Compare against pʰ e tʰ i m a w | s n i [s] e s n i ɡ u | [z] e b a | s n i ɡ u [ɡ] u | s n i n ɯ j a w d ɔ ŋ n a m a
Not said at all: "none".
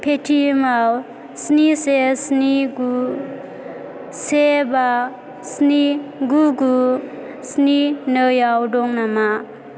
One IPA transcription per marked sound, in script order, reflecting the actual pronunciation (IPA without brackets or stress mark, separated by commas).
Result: s, s, ɡ